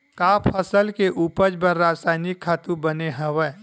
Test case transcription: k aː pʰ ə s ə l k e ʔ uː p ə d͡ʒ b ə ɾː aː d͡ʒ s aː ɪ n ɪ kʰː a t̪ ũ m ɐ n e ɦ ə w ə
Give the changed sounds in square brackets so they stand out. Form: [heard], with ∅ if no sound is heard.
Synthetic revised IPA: k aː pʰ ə s ə l k e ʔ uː p ə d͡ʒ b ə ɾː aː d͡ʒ s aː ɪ n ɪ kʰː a t̪ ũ [b] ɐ n e ɦ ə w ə